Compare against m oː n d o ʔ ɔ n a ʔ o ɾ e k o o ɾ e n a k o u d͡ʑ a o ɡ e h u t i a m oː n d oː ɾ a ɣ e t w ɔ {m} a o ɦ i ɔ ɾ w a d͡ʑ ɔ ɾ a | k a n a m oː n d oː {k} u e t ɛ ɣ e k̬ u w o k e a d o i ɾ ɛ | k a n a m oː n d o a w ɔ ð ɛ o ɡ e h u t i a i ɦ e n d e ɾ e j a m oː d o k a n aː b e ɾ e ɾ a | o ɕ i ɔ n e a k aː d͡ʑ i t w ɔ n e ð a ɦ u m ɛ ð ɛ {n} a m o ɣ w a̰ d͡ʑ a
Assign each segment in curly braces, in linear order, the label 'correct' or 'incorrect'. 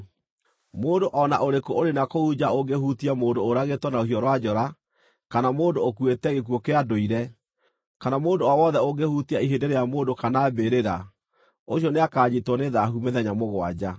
incorrect: n, correct, incorrect: ɲ

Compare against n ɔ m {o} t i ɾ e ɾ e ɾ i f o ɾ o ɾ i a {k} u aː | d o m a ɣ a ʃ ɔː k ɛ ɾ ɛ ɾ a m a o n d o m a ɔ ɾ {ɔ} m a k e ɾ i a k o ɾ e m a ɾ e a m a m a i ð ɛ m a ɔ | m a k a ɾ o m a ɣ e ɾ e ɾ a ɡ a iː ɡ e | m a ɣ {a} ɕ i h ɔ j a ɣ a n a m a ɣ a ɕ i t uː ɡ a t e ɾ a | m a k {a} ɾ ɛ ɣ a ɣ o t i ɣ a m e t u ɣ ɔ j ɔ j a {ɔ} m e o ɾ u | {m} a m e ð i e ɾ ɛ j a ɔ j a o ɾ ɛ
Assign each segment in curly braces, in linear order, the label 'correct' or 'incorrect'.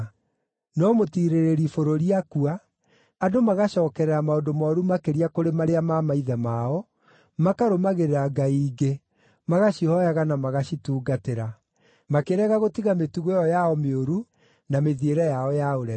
correct, correct, incorrect: u, correct, incorrect: e, correct, incorrect: n

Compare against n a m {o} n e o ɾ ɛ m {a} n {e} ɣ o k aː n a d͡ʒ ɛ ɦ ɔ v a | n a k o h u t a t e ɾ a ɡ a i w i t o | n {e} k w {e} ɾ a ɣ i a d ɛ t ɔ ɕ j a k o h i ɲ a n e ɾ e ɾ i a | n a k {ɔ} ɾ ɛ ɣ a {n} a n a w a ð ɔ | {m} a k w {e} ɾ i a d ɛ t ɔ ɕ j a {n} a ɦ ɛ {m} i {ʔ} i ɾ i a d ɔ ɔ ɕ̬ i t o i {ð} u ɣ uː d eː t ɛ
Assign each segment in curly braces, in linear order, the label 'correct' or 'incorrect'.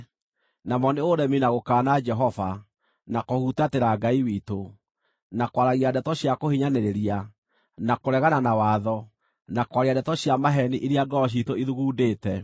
incorrect: ɔ, incorrect: i, incorrect: a, incorrect: a, incorrect: a, incorrect: o, correct, incorrect: n, incorrect: a, incorrect: m, incorrect: n, correct, correct

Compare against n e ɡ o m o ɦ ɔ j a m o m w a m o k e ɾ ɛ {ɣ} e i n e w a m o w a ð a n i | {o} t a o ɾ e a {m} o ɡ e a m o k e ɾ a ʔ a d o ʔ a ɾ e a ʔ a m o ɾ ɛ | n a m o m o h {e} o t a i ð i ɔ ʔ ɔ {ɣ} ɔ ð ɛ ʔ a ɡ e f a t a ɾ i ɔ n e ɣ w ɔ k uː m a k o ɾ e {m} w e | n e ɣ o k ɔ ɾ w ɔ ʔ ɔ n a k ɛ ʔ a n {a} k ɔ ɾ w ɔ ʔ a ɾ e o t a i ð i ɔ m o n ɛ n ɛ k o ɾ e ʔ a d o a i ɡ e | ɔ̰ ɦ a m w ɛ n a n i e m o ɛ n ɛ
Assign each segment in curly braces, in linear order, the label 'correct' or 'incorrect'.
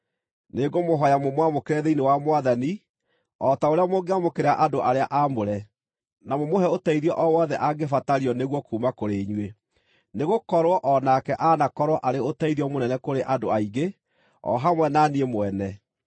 incorrect: ð, incorrect: ɔ, correct, incorrect: ɛ, incorrect: w, incorrect: ɲ, correct

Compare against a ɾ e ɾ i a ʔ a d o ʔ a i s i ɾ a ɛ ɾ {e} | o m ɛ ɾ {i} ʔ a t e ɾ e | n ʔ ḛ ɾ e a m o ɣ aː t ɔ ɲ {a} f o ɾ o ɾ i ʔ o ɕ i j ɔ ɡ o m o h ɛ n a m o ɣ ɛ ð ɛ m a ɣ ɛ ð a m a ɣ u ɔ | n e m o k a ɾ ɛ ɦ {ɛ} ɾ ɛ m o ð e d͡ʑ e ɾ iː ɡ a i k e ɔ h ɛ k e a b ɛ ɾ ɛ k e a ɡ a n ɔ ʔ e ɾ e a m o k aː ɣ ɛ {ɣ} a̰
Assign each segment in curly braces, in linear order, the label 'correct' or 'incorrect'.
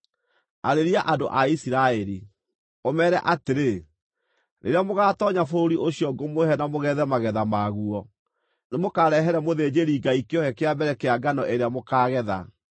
incorrect: i, incorrect: ɛ, correct, correct, incorrect: ð

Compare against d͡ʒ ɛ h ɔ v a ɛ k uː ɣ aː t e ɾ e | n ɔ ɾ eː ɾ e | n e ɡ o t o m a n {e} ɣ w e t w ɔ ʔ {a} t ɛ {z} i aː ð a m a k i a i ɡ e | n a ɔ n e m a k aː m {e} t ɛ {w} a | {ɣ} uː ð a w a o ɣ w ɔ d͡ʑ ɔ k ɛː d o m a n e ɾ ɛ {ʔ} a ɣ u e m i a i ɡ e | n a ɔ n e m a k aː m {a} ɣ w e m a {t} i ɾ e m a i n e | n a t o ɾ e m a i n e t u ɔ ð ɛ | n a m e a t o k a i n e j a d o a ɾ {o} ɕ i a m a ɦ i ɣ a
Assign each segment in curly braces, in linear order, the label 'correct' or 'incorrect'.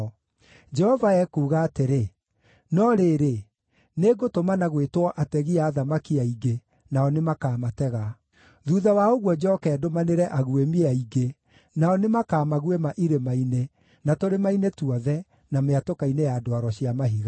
incorrect: a, correct, incorrect: ɣ, incorrect: a, incorrect: ɣ, incorrect: ð, correct, correct, incorrect: ʔ, incorrect: ɔ

